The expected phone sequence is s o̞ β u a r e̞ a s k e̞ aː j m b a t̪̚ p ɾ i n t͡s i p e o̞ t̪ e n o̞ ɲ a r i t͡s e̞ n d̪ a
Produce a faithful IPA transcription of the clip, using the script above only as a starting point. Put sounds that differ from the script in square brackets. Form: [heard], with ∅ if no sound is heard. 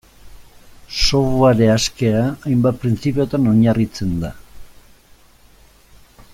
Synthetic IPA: s o̞ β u a [ɾ] e̞ a s k e̞ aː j m b a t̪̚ p ɾ i n t͡s i p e o̞ t̪ [a] n o̞ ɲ a r i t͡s e̞ n d̪ a